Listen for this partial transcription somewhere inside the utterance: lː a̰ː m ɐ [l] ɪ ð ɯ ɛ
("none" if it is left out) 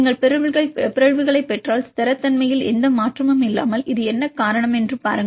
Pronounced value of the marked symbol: l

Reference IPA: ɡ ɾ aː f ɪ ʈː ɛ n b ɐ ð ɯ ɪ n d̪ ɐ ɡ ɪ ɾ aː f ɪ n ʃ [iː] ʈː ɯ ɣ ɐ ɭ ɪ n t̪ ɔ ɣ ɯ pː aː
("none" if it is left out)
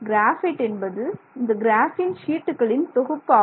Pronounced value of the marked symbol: iː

